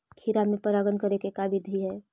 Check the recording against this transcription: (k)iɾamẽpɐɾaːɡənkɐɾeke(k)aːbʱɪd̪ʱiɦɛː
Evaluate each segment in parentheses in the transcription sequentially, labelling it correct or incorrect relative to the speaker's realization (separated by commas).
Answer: incorrect, correct